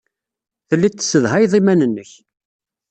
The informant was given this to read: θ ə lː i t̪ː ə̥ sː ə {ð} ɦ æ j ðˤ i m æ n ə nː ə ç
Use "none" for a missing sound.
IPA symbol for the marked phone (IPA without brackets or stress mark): ð